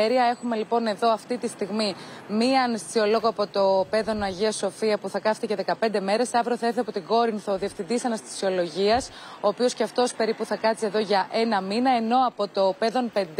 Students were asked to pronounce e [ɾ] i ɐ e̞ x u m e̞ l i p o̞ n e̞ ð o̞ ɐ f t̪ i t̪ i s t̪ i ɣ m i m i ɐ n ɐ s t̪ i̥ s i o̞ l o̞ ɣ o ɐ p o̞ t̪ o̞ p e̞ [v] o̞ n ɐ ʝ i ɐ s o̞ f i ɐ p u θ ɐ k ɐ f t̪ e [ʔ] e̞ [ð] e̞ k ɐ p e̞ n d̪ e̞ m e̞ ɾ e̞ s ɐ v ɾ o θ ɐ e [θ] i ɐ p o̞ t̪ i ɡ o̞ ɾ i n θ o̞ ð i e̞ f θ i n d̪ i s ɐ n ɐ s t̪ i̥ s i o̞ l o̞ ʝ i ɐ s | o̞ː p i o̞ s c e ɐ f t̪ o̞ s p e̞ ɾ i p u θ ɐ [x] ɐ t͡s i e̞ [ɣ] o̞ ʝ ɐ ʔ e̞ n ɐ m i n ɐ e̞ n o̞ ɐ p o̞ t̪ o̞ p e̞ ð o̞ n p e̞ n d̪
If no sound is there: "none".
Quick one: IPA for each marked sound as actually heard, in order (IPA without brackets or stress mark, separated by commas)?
ɾ, ð, c, ð, θ, k, ð